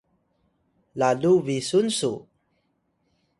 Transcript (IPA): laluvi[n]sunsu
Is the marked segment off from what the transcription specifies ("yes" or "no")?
yes